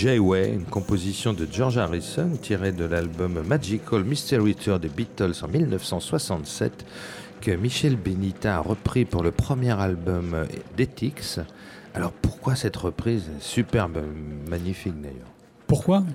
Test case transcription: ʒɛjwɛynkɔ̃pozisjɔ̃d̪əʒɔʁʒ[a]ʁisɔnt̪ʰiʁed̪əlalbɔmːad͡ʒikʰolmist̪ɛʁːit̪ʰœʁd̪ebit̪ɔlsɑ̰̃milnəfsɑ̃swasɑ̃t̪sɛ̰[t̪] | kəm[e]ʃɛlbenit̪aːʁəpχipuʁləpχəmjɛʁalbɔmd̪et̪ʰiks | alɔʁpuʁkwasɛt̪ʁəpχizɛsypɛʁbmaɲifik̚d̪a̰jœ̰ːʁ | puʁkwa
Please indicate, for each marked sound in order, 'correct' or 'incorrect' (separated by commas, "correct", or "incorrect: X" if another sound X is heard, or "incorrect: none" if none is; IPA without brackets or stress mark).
correct, correct, incorrect: i